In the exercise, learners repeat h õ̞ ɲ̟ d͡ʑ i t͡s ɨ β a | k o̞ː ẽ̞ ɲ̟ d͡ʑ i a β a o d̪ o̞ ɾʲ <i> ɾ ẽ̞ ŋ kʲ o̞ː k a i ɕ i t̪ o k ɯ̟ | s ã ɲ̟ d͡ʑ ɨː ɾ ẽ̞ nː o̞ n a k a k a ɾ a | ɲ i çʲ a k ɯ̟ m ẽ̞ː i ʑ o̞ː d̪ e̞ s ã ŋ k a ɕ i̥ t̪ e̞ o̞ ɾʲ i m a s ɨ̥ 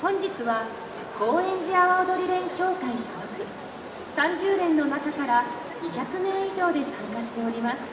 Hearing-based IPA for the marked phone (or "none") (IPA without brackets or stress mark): i